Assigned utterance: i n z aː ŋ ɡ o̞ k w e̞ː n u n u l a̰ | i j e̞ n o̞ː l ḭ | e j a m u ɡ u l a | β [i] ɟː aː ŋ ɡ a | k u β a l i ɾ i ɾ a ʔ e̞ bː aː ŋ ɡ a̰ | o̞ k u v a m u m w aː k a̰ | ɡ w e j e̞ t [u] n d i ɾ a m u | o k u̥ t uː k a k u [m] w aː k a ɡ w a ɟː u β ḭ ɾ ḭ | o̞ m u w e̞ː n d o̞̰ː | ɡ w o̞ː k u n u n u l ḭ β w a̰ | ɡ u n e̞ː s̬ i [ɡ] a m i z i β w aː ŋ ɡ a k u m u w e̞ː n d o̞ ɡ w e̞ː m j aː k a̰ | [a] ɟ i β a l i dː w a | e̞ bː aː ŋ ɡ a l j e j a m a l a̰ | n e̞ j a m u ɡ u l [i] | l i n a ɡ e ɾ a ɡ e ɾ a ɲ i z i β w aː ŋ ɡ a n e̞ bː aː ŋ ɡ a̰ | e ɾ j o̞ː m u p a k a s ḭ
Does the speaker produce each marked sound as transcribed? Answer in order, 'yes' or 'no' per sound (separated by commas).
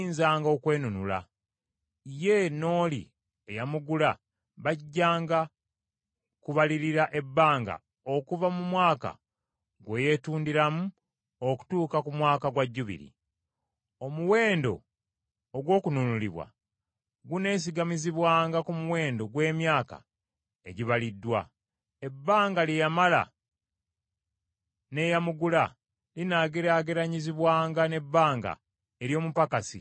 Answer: no, no, yes, yes, no, no